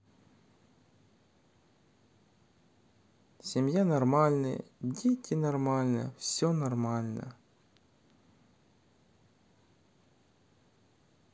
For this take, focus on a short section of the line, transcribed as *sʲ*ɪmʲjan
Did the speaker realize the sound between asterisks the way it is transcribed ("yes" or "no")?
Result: yes